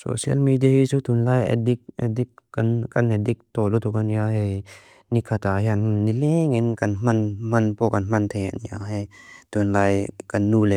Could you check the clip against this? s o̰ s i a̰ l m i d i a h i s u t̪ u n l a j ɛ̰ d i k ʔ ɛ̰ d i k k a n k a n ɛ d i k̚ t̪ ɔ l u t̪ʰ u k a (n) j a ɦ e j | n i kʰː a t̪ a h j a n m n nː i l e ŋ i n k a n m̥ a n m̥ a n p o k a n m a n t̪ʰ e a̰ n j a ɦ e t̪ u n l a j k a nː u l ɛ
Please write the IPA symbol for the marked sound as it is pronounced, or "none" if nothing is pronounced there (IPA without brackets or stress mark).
n